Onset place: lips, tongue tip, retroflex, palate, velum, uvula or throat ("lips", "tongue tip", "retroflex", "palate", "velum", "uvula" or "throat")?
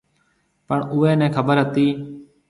lips